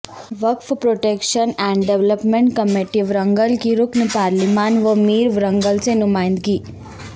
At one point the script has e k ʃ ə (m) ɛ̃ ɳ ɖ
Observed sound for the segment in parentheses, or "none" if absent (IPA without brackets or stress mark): n